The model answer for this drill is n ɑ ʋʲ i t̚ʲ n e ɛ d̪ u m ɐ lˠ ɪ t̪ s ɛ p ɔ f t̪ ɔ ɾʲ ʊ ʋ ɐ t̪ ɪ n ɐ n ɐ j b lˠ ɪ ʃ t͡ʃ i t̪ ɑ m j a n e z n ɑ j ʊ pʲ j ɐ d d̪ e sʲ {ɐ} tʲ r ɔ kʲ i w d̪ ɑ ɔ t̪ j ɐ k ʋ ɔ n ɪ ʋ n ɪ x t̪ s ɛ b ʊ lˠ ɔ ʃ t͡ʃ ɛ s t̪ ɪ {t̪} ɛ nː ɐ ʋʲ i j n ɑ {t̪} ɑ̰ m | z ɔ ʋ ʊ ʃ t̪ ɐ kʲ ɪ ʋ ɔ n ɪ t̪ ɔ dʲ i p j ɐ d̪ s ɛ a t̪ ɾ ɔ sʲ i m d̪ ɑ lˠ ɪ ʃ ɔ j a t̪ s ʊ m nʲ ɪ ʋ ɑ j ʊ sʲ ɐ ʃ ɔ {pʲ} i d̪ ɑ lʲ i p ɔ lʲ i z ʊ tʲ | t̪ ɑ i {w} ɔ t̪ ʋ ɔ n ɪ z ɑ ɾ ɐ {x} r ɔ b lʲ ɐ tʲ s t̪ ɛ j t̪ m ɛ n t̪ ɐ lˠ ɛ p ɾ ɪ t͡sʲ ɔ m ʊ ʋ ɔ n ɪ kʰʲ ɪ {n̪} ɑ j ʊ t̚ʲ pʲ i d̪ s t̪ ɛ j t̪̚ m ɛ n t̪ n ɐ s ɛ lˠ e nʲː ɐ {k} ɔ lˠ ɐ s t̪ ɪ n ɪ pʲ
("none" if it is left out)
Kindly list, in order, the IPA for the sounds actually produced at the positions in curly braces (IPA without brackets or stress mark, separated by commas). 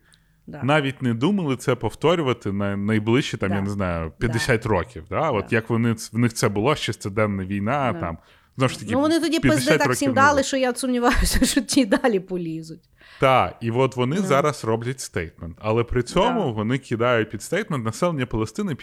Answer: a, d̪, t̪, tʲ, ʋ, s, d̪, p